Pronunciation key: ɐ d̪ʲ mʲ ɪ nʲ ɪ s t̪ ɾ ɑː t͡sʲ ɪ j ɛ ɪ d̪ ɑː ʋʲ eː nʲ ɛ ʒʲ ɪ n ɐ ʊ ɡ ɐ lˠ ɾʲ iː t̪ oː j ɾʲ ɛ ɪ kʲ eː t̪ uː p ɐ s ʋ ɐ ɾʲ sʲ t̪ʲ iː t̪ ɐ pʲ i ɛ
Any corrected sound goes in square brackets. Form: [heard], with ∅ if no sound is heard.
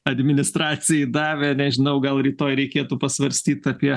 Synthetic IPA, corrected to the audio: ɐ d̪ʲ mʲ ɪ nʲ ɪ s t̪ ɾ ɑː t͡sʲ ɪ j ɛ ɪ d̪ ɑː ʋʲ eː nʲ ɛ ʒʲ ɪ n ɐ ʊ ɡ ɐ lˠ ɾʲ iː t̪ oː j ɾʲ ɛ ɪ kʲ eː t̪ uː p ɐ s ʋ ɐ ɾʲ sʲ t̪ʲ iː t̪ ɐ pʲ i ɛ